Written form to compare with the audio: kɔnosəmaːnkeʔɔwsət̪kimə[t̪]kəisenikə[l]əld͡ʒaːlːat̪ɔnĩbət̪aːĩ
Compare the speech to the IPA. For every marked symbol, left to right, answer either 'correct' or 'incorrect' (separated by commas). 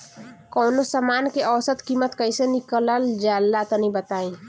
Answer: correct, correct